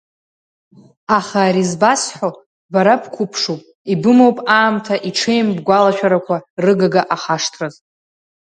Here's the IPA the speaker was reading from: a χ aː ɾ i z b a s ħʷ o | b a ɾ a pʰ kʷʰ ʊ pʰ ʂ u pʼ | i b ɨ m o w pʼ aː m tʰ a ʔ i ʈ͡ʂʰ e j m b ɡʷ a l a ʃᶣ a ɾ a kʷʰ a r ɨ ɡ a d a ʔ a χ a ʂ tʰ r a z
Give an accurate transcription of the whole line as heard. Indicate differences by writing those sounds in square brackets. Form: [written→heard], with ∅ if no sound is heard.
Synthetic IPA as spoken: a χ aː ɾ i z b a s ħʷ o | b a ɾ a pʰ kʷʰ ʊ pʰ ʂ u pʼ | i b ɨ m o w pʼ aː m tʰ a ʔ i ʈ͡ʂʰ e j m b ɡʷ a l a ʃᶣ a ɾ a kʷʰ a r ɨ ɡ a [d→ɡ] a ʔ a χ a ʂ tʰ r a z